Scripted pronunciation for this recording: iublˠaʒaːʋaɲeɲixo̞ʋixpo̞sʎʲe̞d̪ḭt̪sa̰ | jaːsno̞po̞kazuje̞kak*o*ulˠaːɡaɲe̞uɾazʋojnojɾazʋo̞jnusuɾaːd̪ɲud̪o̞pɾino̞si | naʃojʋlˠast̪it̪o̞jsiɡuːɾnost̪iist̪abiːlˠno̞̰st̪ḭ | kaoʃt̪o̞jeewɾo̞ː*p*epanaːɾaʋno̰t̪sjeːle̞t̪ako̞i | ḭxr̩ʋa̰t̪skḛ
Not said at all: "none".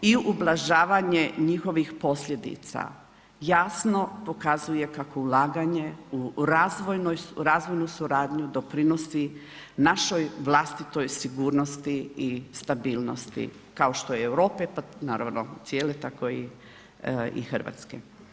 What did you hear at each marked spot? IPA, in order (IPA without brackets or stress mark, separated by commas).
o, p